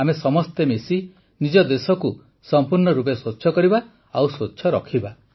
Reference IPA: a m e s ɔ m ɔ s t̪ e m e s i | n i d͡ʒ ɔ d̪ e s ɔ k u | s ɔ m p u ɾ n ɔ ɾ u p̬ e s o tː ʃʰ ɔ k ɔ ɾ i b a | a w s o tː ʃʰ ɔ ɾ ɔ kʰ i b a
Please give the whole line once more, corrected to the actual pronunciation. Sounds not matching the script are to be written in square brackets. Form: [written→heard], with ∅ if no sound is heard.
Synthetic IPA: a m e s ɔ m ɔ s t̪ e m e s i | n i d͡ʒ ɔ d̪ e s ɔ k u | s ɔ m p u ɾ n ɔ ɾ u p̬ e s o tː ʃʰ ɔ k ɔ ɾ i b a | a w s o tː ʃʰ ɔ ɾ ɔ kʰ i b a